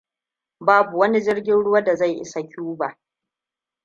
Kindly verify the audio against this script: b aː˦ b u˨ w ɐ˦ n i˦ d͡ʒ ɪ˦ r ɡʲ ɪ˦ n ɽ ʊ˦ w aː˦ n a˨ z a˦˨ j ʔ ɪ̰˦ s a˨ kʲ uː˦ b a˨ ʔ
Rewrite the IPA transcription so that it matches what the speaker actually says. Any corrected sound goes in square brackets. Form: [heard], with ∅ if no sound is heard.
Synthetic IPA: b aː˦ b u˨ w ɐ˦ n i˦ d͡ʒ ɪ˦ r ɡʲ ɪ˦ n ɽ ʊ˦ w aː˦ [d] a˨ z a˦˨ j ʔ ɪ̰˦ s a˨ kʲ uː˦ b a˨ ʔ